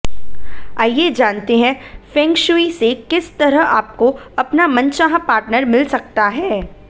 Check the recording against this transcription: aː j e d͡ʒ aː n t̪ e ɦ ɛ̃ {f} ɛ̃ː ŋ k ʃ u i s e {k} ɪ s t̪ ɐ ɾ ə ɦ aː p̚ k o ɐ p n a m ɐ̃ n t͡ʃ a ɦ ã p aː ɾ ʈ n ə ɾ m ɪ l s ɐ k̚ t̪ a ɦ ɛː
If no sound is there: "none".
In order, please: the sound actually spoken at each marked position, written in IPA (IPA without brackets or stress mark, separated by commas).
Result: f, k